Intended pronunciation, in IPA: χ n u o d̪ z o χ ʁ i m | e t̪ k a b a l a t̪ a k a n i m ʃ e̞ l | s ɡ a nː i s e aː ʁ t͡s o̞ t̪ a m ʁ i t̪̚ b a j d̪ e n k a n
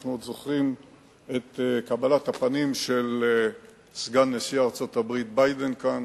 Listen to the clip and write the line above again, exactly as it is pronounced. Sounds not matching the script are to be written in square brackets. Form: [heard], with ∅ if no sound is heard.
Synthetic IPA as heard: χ n u o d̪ z o χ ʁ i m | e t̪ k a b a l a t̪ a [p] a n i m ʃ e̞ l | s ɡ a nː [e] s [i] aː ʁ t͡s o̞ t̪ a [b] ʁ i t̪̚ b a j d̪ e n k a n